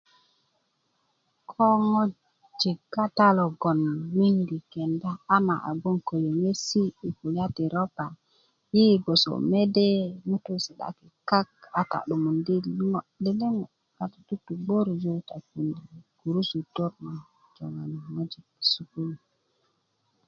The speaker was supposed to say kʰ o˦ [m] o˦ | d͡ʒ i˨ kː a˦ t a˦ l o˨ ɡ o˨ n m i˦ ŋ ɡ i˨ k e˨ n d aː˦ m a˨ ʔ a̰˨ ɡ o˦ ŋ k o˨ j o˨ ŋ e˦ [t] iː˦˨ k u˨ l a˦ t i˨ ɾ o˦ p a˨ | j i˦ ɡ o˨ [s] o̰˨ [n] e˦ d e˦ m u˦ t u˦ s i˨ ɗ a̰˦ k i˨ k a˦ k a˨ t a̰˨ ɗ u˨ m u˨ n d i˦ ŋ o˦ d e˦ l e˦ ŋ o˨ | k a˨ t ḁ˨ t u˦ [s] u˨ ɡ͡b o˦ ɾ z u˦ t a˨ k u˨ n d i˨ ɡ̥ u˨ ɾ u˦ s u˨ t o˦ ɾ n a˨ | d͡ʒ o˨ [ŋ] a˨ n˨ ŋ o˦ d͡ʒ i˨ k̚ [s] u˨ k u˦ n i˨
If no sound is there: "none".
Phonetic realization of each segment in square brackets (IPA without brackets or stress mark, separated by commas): ŋ, s, s, m, t, ŋ, s